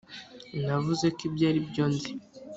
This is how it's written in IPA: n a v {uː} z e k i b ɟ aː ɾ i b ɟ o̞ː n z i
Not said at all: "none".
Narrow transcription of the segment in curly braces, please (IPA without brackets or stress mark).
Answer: u